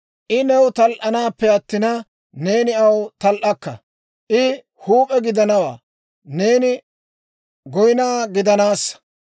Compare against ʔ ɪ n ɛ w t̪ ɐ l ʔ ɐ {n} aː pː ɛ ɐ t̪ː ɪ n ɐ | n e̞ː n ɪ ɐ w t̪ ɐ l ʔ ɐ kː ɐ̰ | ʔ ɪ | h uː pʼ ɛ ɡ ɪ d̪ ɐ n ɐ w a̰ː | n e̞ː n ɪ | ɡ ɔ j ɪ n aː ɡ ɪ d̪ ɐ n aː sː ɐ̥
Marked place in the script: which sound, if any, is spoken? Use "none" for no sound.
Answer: n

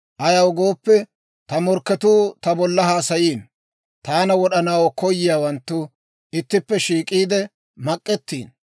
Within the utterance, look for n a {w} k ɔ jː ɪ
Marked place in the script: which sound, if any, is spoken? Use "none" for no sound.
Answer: w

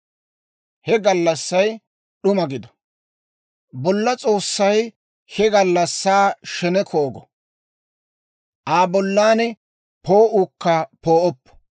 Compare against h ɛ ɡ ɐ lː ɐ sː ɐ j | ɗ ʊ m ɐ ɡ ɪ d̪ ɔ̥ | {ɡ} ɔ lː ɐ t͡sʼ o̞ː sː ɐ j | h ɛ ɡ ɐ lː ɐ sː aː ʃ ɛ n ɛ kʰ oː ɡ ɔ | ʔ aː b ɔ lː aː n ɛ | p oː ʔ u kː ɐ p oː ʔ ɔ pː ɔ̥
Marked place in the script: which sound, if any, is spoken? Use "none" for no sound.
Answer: b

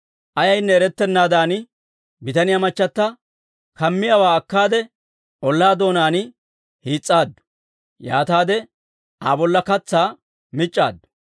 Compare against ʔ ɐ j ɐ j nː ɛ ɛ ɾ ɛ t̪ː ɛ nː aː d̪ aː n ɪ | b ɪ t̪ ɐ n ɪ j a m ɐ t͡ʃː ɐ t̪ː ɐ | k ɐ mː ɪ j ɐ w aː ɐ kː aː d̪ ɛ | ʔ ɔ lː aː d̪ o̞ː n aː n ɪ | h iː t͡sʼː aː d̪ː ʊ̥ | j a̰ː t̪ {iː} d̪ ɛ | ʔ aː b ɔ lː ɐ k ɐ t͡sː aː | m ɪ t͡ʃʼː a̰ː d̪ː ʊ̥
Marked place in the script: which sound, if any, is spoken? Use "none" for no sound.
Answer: aː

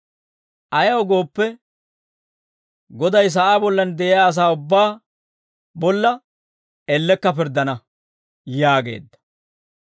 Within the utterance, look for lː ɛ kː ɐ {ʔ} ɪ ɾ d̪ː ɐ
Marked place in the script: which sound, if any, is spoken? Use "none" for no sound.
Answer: p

